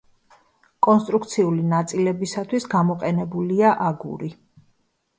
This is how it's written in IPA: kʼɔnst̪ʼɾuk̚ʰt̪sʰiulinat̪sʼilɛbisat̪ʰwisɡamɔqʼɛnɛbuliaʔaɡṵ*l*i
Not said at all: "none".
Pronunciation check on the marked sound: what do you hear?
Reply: ɾ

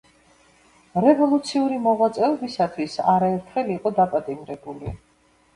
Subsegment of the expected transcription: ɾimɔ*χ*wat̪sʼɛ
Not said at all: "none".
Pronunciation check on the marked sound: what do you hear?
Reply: ʁ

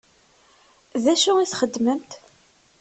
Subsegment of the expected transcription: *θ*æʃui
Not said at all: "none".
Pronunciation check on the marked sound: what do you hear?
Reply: ð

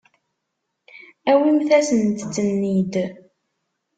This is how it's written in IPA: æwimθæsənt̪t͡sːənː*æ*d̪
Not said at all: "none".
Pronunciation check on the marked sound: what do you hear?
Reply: i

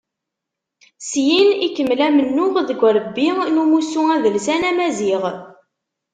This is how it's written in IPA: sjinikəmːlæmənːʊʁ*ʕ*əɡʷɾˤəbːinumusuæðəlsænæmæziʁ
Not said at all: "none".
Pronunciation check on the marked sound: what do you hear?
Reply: ð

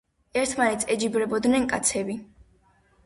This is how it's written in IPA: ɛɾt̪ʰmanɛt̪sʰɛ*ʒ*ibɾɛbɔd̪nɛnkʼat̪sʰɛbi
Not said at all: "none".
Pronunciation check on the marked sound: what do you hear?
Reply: d͡ʒ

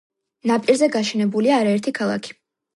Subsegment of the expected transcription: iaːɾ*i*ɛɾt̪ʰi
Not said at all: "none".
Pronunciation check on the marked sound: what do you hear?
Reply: a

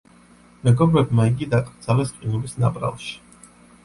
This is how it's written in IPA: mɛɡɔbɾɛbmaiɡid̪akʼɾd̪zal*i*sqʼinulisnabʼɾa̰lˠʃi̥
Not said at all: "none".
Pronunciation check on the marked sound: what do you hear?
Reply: ɛ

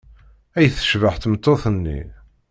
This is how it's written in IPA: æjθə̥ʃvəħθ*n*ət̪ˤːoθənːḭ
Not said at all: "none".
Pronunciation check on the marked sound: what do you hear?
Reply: m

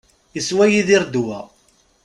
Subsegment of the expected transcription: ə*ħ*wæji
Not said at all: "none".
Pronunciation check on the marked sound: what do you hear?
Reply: s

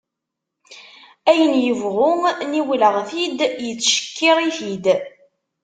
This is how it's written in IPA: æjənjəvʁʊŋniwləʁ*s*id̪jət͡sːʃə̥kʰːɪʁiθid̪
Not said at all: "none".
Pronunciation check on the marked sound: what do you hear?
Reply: θ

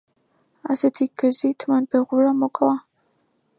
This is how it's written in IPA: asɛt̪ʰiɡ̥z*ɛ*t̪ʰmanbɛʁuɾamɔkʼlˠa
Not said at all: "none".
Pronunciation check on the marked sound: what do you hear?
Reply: i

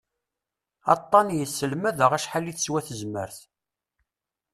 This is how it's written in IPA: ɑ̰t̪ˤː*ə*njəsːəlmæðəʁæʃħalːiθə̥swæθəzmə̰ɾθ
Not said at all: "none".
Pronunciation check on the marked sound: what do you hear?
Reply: ɑ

